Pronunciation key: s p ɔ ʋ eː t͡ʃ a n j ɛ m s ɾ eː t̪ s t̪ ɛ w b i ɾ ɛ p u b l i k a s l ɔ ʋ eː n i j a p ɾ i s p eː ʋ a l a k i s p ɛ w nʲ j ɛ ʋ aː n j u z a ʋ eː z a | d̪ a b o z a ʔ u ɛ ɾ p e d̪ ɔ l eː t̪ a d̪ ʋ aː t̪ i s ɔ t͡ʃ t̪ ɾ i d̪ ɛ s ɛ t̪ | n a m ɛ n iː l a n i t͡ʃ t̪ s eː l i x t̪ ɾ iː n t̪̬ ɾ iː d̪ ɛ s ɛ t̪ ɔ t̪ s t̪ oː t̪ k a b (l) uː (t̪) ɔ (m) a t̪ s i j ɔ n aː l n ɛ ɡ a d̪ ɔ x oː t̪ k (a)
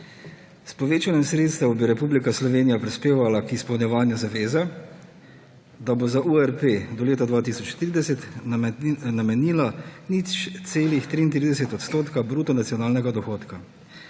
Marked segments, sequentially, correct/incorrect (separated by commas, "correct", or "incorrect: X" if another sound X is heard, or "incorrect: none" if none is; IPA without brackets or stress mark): incorrect: ɾ, correct, incorrect: n, correct